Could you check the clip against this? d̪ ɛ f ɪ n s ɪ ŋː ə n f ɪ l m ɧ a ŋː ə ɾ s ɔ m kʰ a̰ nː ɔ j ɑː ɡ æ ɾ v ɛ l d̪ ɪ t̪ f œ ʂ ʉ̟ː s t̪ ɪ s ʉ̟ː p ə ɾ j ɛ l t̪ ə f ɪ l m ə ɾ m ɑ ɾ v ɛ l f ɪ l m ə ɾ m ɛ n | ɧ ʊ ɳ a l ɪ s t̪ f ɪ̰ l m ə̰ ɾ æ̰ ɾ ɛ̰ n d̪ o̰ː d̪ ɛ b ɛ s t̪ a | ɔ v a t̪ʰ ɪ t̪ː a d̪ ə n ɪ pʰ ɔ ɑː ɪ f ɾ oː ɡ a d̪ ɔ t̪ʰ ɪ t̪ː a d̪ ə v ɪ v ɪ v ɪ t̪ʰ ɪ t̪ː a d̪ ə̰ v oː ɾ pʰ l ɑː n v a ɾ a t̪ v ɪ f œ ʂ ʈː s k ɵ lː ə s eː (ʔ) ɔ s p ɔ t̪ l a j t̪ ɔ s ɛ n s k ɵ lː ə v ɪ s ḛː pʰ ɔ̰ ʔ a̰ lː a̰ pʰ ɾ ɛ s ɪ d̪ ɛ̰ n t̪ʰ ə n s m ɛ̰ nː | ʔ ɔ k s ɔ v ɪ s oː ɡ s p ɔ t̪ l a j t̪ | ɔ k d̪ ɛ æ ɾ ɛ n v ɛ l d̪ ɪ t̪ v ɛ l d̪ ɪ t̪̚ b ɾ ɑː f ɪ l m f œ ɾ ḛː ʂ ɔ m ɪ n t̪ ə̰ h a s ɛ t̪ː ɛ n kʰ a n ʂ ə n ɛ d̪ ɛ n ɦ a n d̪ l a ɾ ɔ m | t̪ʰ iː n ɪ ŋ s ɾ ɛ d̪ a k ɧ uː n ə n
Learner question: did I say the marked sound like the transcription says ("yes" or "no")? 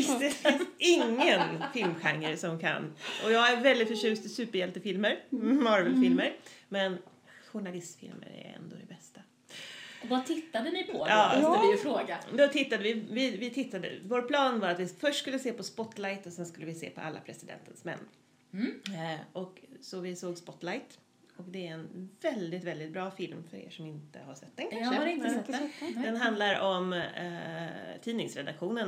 no